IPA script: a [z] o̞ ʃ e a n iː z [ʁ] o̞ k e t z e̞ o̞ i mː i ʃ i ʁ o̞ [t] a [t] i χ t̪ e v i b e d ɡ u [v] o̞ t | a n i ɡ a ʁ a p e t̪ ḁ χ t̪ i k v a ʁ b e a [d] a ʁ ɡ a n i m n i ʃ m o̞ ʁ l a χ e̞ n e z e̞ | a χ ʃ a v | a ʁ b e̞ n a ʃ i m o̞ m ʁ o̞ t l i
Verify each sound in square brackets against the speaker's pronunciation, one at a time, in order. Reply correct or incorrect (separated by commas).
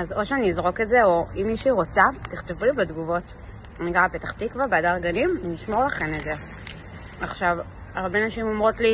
correct, correct, incorrect, correct, correct, correct